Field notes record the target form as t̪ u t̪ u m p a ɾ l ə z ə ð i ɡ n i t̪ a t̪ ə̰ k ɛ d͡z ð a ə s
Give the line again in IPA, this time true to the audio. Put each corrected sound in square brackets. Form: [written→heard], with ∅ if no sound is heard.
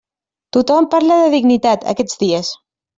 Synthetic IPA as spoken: t̪ u t̪ [u→ɔ] m p a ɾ l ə [z→ð] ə ð i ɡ n i t̪ a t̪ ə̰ k ɛ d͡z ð [a→i] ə s